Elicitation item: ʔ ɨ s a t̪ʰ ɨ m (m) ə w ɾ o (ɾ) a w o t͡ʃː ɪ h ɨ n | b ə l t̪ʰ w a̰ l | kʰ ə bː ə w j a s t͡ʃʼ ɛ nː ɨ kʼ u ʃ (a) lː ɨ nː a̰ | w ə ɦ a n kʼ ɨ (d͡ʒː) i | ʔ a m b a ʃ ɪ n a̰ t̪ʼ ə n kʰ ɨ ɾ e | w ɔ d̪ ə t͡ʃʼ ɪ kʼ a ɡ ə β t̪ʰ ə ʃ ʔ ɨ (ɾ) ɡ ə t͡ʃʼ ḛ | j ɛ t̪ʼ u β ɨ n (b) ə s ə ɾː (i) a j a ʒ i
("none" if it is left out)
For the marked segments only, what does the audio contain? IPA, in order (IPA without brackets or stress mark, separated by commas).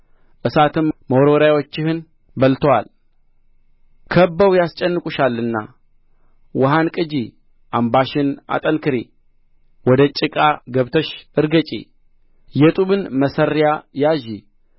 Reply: m, ɾ, a, d͡ʒ, ɾ, m, j